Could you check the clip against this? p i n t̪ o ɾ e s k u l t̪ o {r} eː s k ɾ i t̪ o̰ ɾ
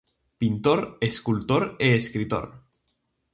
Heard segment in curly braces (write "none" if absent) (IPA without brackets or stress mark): ɾ